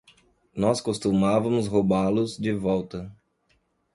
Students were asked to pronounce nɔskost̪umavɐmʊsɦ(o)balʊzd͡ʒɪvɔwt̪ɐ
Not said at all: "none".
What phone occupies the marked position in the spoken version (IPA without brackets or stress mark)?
o